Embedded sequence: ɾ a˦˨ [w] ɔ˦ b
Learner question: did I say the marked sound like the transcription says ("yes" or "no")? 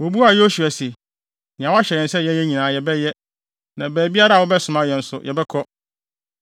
yes